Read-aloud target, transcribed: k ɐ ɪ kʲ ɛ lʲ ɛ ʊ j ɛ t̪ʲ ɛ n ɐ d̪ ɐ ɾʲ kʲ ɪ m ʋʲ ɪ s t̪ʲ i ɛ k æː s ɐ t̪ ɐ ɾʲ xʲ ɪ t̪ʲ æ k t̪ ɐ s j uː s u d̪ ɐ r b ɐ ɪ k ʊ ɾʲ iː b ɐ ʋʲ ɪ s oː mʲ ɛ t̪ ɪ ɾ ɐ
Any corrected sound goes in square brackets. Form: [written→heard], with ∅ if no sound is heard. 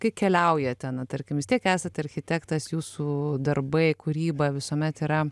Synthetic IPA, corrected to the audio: k ɐ ɪ kʲ ɛ lʲ ɛ ʊ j ɛ t̪ʲ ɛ n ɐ [d̪→t̪] ɐ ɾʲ kʲ ɪ m ʋʲ ɪ s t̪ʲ i ɛ k æː s ɐ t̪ ɐ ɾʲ xʲ ɪ t̪ʲ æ k t̪ ɐ s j uː s u d̪ ɐ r b ɐ ɪ k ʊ ɾʲ iː b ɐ ʋʲ ɪ s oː mʲ ɛ t̪ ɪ ɾ ɐ